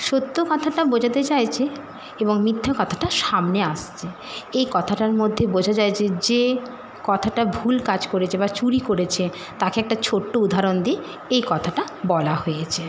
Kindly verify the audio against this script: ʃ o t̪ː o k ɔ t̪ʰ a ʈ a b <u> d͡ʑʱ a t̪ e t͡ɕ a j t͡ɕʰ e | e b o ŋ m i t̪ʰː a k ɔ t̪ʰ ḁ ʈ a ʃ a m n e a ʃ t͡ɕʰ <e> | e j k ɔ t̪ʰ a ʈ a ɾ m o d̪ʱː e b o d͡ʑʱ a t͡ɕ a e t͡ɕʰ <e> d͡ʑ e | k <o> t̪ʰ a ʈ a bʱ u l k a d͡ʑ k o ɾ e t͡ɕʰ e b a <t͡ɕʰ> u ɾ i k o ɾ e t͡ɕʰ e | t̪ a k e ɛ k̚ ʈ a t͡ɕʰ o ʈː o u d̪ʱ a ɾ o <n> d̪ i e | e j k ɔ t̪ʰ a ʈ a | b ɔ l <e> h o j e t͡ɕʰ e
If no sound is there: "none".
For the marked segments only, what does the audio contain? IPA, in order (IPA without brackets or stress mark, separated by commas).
o, e, e, ɔ, t͡ɕ, n, a